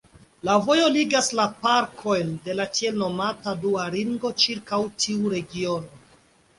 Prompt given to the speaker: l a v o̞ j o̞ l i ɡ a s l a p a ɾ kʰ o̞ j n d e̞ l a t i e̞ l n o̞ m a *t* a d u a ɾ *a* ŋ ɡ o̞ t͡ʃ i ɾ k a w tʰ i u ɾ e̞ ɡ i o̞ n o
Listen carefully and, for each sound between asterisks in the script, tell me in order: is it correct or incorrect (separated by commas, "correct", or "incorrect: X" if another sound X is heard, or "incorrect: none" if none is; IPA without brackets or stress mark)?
correct, incorrect: i